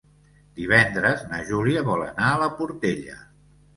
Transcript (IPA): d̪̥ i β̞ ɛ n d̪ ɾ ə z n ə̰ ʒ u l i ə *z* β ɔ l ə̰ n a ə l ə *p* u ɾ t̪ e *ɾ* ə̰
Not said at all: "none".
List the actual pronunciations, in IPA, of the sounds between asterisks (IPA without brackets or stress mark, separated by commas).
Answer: none, p, ʎ